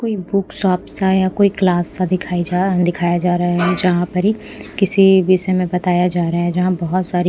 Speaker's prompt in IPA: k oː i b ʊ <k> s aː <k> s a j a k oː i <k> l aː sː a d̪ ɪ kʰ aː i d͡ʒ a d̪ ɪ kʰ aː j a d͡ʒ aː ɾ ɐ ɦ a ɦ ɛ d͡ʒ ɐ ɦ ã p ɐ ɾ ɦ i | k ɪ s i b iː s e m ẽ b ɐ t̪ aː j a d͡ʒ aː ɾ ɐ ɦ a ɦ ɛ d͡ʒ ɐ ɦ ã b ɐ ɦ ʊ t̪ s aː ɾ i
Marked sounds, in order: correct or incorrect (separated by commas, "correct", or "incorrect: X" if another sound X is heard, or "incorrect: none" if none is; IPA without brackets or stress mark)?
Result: correct, incorrect: p, correct